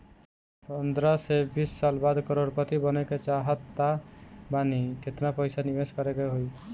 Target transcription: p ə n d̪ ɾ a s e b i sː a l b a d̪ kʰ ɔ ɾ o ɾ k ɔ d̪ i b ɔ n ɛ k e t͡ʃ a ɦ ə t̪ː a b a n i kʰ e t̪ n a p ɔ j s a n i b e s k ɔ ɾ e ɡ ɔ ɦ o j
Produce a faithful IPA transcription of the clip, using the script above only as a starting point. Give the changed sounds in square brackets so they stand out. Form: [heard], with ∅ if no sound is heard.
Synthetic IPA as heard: p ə n d̪ ɾ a s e b i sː a l b a d̪ [k] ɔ ɾ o ɾ k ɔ [t̪] i b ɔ n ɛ k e t͡ʃ a ɦ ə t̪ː a b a n i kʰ e t̪ n a p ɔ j s a n i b e s k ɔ ɾ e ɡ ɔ ɦ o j